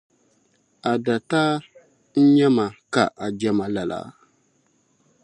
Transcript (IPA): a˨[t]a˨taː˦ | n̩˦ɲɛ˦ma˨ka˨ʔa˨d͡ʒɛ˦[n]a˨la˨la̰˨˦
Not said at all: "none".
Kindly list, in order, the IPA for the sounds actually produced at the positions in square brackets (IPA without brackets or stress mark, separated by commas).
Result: d, m